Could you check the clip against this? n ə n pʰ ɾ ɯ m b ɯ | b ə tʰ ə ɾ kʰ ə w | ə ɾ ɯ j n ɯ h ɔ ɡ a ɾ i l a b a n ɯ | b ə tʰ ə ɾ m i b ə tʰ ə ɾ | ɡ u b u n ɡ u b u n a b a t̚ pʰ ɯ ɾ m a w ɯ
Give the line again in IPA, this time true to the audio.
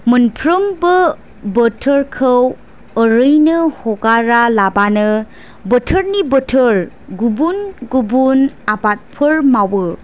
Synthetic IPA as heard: m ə n pʰ ɾ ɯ m b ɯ | b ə tʰ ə ɾ kʰ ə w | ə ɾ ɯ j n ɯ h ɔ ɡ a ɾ a l a b a n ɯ | b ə tʰ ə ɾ n i b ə tʰ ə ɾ | ɡ u b u n ɡ u b u n a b a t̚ pʰ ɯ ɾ m a w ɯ

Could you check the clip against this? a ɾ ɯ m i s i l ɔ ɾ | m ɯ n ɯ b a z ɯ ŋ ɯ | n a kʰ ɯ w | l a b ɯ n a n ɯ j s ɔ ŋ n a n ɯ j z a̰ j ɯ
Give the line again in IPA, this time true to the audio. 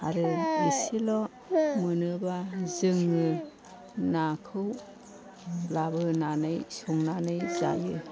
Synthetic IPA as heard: a ɾ ɯ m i s i l ɔ | m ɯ n ɯ b a z ɯ ŋ ɯ | n a kʰ ɯ w | l a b ɯ n a n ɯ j s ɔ ŋ n a n ɯ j z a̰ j ɯ

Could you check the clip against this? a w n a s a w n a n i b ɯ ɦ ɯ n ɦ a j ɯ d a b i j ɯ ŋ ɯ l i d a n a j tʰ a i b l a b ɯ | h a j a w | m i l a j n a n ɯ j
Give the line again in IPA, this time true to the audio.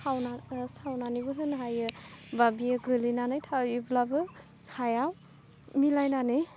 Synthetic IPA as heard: a w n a s a w n a n i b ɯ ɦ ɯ n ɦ a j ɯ b a b i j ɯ ɡ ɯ l i n a n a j tʰ a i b l a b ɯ | h a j a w | m i l a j n a n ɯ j

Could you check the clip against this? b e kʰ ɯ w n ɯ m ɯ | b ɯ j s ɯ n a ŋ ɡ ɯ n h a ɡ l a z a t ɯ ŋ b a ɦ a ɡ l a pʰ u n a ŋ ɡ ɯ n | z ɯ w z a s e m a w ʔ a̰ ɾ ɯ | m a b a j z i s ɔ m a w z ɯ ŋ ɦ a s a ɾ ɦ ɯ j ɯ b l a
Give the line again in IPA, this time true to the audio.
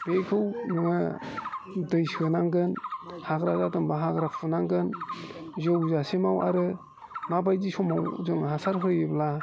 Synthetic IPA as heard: b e kʰ ɯ w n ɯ ŋ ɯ | d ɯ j s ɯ n a ŋ ɡ ɯ n h a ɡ ɾ a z a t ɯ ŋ b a ɦ a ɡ ɾ a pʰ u n a ŋ ɡ ɯ n | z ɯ w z a s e m a w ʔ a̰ ɾ ɯ | m a b a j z i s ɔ m a w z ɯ ŋ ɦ a s a ɾ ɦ ɯ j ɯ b l a

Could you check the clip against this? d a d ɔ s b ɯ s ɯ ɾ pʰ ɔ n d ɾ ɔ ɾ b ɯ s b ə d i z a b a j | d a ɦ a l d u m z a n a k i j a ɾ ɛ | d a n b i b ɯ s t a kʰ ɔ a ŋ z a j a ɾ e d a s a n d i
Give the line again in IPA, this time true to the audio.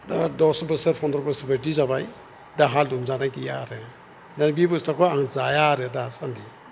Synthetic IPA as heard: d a d ɔ s b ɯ s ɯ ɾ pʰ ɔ n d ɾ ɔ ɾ b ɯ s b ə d i z a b a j | d a ɦ a l d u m z a n a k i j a ɾ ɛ | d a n b i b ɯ s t a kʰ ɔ a ŋ z a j a ɾ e d a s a n d i

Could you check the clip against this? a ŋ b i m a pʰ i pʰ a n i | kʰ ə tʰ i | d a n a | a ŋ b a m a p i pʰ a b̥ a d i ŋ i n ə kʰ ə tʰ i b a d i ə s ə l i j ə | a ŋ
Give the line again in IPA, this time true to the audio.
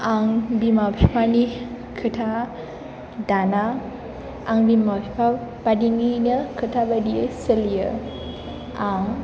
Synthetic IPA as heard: a ŋ b i m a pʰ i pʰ a n i | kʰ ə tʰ a | d a n a | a ŋ b i m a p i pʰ a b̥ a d i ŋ i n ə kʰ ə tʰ a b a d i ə s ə l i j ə | a ŋ

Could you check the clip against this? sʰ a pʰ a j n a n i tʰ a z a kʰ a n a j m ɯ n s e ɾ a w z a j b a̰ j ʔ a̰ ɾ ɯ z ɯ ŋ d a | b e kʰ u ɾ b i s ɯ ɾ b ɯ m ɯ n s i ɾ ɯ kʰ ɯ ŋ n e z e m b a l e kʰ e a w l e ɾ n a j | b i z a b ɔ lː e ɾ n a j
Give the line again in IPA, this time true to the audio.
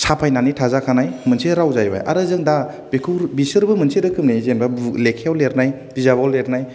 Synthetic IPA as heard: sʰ a pʰ a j n a n i tʰ a z a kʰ a n a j m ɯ n s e ɾ a w z a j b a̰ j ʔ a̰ ɾ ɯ z ɯ ŋ d a | b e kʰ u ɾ b i s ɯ ɾ b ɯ m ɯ n s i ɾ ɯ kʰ ɯ m n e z e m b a l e kʰ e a w l e ɾ n a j | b i z a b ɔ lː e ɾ n a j

